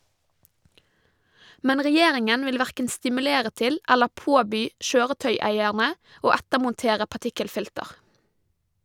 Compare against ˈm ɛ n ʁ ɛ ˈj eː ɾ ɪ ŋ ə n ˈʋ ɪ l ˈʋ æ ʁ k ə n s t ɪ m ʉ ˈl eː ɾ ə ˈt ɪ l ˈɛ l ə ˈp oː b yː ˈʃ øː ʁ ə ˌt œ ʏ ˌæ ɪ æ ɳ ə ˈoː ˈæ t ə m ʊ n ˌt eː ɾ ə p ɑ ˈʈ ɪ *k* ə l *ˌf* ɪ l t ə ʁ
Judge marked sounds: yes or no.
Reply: yes, yes

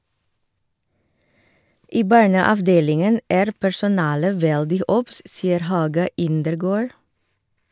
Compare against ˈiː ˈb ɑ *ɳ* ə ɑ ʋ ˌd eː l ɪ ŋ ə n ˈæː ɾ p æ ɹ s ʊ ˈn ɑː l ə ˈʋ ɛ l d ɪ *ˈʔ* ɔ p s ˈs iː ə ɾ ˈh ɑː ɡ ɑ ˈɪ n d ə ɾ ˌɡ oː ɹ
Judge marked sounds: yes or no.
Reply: yes, yes

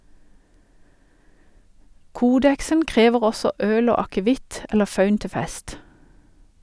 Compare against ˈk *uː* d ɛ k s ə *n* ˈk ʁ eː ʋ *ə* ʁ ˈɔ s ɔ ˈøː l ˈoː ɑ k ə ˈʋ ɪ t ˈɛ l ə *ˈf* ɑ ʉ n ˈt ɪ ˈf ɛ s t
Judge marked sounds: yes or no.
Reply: yes, yes, yes, yes

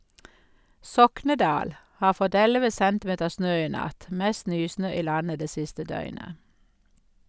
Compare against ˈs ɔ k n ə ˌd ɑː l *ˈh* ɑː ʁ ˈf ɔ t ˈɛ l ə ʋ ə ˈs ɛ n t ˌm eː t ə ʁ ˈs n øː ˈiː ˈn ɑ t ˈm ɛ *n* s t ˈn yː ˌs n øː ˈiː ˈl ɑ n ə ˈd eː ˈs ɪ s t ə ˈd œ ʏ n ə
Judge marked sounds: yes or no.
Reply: yes, no

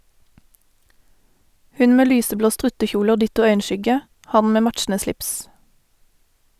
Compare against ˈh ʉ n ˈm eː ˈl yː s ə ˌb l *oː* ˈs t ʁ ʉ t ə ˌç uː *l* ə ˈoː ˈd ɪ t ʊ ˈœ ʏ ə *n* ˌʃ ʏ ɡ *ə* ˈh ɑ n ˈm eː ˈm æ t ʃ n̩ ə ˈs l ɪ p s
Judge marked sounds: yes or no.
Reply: yes, yes, yes, yes

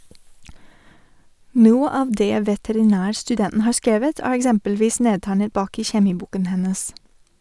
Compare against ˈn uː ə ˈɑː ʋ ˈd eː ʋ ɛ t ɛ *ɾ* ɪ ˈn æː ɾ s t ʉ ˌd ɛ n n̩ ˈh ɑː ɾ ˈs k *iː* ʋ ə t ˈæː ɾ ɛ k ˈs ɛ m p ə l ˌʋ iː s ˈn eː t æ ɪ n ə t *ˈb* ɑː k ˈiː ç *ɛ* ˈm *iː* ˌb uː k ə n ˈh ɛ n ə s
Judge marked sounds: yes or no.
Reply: yes, no, yes, yes, yes

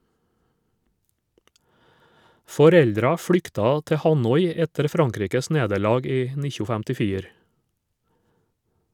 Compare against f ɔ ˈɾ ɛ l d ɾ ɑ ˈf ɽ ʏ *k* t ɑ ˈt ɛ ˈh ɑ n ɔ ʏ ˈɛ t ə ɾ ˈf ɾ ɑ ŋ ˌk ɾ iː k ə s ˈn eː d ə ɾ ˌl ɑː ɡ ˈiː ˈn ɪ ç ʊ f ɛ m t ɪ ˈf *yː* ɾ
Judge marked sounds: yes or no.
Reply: yes, no

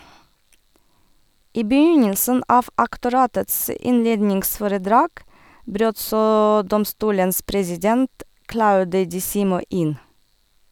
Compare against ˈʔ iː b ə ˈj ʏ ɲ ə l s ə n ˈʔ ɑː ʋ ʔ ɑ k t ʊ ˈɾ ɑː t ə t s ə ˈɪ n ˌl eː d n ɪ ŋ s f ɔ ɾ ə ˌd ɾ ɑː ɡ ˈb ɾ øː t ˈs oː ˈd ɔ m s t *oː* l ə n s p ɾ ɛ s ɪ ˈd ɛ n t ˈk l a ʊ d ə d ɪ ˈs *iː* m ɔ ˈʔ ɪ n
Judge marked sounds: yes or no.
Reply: no, yes

